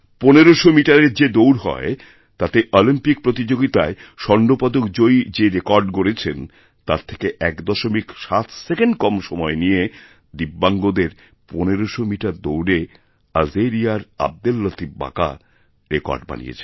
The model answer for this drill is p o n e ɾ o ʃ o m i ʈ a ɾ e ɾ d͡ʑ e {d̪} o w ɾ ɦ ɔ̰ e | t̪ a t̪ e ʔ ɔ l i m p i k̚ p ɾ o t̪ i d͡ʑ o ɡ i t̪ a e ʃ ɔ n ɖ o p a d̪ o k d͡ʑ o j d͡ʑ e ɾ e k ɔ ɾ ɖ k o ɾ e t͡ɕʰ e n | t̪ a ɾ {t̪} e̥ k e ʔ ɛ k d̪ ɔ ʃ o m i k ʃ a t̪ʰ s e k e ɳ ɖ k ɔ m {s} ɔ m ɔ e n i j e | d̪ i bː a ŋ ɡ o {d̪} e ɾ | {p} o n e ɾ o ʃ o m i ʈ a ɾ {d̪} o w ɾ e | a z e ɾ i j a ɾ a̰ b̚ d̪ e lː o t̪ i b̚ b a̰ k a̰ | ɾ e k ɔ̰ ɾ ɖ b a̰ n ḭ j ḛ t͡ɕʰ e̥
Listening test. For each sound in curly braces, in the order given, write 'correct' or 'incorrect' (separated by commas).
correct, incorrect, incorrect, correct, correct, correct